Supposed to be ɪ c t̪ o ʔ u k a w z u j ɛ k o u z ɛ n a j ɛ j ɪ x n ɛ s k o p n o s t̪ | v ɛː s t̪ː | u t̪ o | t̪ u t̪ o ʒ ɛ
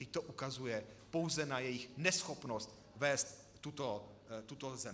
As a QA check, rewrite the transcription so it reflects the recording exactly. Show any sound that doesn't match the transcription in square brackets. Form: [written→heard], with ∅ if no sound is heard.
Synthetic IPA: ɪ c t̪ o ʔ u k a [w→∅] z u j ɛ [k→p] o [u→w] z ɛ n a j ɛ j ɪ x n ɛ s [k→x] o p n o s t̪ | v ɛː s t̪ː | u t̪ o | t̪ u t̪ o [ʒ→z] ɛ